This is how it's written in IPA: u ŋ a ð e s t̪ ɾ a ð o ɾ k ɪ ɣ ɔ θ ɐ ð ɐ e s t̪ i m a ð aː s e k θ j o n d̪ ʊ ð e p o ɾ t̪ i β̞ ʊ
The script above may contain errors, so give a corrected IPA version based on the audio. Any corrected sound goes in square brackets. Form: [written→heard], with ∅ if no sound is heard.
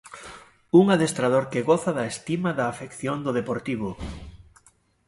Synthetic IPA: u ŋ a ð e s t̪ ɾ a ð o ɾ k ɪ ɣ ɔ θ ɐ ð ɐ e s t̪ i m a ð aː [s→f] e k θ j o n d̪ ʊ ð e p o ɾ t̪ i β̞ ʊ